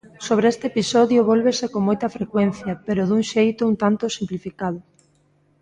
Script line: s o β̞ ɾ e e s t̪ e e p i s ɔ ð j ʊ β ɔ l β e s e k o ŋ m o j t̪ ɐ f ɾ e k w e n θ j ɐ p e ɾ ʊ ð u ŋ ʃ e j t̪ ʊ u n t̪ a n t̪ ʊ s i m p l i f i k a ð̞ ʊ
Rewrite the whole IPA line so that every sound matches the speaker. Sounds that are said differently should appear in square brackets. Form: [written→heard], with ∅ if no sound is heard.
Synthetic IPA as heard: s o β̞ ɾ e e s t̪ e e p i s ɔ ð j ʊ β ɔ l β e s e k o ŋ m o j t̪ ɐ f ɾ e k w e n θ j ɐ p e ɾ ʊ ð u ŋ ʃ e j t̪ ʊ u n t̪ a n t̪ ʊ s i m p l i f i k a ð̞ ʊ